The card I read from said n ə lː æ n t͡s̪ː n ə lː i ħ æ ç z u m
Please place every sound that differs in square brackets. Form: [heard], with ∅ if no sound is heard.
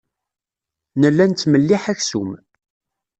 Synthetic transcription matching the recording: n ə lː æ n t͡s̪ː [m] ə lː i ħ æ ç [s] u m